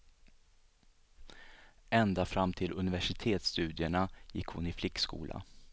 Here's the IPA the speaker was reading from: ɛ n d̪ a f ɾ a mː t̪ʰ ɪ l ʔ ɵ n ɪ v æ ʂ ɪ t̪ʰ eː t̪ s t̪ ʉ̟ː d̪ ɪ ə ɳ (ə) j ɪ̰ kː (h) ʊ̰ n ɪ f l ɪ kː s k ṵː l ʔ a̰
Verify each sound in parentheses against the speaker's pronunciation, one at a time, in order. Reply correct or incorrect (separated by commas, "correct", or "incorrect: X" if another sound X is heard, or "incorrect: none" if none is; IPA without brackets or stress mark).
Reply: incorrect: a, correct